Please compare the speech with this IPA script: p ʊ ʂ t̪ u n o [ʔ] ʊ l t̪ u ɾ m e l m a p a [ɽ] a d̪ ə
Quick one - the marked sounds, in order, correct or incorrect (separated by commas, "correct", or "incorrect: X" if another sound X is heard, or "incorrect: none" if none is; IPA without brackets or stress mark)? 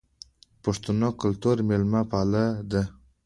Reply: incorrect: k, incorrect: l